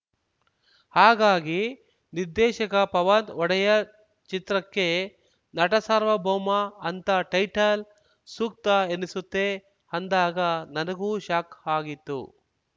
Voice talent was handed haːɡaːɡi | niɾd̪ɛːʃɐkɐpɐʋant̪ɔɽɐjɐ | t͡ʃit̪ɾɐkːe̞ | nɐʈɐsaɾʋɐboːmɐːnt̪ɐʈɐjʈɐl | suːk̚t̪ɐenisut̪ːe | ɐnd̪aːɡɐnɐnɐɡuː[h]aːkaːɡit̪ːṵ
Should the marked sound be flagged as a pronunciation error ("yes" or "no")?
yes